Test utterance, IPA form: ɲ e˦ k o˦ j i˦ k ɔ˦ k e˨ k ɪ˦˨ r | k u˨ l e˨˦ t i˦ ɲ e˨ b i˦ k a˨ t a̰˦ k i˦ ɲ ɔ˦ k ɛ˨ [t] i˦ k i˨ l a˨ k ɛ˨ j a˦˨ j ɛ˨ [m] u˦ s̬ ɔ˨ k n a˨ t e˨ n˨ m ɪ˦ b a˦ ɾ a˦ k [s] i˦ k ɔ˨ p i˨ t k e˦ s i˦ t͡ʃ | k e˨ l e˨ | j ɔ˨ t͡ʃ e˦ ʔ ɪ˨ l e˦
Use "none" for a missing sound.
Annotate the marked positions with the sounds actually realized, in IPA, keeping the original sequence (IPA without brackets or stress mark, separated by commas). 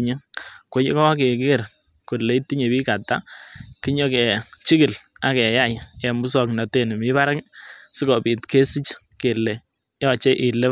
t͡ʃ, m, s